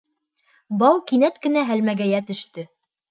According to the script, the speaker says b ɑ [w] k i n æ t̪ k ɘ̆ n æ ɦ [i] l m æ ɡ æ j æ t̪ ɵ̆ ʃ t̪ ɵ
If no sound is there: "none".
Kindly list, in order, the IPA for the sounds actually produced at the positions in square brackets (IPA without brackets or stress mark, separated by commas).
w, æ